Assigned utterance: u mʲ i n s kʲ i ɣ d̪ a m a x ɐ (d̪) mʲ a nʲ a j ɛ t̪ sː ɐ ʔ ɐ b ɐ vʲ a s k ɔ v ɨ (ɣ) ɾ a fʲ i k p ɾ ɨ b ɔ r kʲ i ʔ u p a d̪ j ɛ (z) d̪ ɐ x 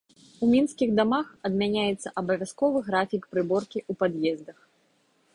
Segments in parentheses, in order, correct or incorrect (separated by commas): correct, correct, correct